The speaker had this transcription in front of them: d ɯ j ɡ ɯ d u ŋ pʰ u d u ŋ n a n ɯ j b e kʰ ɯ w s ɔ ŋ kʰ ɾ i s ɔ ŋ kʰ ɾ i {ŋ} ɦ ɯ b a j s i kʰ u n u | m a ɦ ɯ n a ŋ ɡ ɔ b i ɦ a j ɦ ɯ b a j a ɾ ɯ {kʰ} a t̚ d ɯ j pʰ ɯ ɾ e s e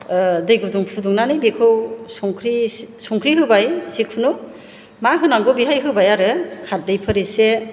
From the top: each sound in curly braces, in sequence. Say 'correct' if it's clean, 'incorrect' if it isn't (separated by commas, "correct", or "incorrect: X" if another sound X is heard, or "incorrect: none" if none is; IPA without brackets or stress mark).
incorrect: none, correct